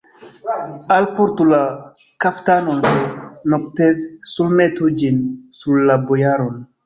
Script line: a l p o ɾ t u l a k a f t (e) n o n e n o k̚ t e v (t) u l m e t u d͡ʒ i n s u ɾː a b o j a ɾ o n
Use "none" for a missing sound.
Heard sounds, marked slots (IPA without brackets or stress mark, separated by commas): a, s